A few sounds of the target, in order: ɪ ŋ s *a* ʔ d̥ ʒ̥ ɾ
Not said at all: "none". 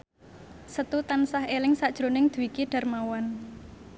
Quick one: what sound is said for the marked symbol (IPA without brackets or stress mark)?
a